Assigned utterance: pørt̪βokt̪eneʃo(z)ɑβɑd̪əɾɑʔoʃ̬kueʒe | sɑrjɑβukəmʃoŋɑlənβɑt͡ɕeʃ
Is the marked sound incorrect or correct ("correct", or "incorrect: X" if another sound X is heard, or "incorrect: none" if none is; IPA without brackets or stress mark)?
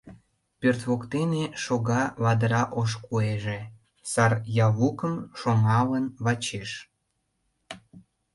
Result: incorrect: ɣ